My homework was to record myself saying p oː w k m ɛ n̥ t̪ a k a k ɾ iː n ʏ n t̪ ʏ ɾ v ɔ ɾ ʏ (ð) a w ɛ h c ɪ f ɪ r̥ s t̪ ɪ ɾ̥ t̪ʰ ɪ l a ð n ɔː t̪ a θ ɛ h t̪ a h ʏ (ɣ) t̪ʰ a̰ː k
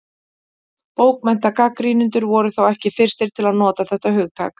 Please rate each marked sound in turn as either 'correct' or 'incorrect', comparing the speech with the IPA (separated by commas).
incorrect, correct